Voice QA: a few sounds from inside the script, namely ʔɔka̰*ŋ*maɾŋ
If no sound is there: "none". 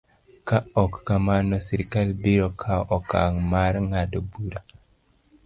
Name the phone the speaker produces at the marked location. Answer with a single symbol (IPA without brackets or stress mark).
ŋ